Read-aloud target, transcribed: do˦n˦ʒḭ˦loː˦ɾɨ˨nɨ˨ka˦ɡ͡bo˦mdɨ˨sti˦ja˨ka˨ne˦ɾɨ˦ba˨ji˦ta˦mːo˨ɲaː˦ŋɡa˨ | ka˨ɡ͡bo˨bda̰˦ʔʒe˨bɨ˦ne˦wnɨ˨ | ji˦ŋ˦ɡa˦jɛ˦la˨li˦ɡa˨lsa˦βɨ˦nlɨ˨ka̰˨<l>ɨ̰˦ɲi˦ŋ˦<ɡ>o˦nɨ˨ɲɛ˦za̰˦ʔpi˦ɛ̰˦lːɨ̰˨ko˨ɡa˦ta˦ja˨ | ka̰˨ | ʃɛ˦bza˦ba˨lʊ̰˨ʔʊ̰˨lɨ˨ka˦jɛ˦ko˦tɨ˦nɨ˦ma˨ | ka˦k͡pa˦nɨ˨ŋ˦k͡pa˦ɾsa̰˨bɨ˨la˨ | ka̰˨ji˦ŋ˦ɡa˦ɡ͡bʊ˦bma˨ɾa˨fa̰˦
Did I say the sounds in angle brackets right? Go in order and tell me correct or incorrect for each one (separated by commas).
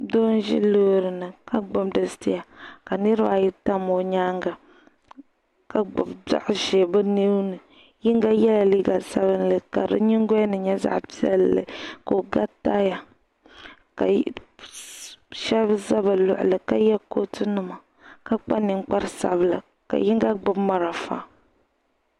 incorrect, correct